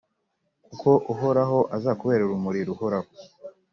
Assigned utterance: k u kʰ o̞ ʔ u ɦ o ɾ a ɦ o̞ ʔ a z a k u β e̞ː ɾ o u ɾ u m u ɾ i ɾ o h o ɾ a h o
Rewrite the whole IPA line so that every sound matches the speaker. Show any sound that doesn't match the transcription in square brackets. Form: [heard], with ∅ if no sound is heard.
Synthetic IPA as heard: k u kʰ o̞ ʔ u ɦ o ɾ a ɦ o̞ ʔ a z a k u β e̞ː ɾ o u ɾ u m u ɾ i ɾ [u] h o ɾ a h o